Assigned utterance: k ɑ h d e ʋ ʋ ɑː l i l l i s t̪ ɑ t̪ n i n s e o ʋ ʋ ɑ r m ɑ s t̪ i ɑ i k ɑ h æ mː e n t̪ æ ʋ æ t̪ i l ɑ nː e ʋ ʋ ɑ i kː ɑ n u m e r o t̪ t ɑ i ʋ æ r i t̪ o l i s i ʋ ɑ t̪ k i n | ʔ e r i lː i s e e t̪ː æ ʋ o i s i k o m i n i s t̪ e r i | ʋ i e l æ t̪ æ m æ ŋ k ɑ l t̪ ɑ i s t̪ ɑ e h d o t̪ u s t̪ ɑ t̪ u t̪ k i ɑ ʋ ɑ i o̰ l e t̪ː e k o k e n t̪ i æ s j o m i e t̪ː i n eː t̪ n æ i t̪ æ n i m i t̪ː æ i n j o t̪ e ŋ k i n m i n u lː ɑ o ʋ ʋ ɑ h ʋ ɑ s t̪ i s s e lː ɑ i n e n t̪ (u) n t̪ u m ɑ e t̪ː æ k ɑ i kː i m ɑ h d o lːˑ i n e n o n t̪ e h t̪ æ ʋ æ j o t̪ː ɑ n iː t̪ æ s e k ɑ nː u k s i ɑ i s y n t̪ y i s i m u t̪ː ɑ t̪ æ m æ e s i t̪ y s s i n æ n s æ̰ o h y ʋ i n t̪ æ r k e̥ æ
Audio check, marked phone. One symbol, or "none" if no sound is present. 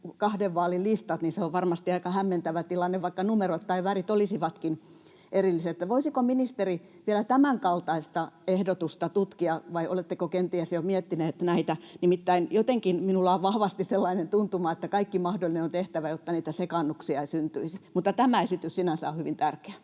u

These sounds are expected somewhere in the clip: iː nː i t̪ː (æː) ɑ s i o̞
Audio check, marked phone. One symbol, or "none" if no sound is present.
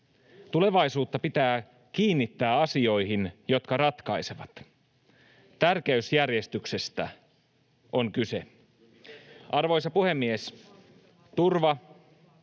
æː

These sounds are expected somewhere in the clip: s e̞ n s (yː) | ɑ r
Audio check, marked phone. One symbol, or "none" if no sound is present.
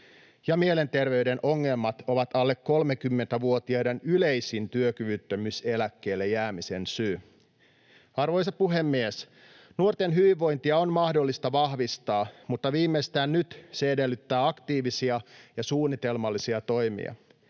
yː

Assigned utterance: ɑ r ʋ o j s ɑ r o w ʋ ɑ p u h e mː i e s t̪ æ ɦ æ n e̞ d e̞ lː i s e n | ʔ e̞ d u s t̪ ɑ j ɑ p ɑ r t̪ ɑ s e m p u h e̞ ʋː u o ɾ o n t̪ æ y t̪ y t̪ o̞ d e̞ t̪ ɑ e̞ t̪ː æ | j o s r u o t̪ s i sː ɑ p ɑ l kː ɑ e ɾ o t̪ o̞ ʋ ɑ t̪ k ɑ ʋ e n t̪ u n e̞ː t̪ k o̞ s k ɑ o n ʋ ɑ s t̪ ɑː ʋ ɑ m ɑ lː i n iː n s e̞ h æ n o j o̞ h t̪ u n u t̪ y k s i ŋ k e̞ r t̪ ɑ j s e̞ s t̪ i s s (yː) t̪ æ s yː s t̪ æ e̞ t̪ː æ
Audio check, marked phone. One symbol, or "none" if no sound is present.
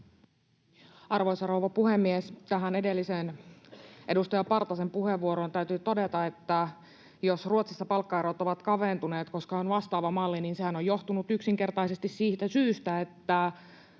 iː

